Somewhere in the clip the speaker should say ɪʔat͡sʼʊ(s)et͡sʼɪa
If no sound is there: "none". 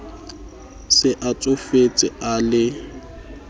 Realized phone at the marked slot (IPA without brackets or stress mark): f